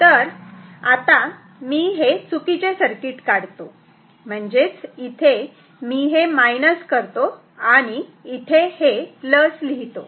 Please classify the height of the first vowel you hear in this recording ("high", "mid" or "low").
mid